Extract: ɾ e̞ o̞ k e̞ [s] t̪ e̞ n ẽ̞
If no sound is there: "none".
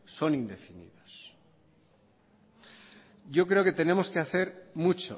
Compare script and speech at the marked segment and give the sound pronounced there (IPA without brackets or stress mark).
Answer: none